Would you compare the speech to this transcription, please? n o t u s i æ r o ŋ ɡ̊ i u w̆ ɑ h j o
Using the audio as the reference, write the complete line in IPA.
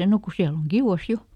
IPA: n o k u s i æ l o ŋ ɡ̊ i u w̆ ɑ s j o